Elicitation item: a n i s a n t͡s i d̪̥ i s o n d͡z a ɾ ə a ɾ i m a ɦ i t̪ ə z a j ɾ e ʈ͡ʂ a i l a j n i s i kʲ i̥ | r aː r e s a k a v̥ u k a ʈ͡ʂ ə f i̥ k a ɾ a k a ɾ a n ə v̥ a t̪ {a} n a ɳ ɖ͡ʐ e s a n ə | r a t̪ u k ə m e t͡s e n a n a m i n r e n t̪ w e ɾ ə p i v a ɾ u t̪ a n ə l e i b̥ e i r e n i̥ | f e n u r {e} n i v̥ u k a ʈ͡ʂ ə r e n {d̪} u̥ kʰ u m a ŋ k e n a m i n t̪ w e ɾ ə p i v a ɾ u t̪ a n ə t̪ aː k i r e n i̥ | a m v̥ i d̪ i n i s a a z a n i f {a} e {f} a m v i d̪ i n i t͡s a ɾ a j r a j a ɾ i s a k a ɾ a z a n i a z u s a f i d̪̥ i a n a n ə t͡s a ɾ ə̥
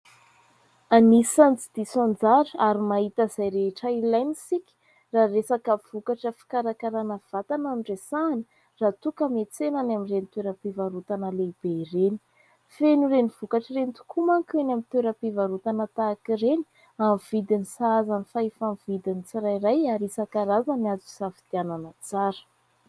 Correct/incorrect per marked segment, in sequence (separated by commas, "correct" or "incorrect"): correct, correct, incorrect, correct, correct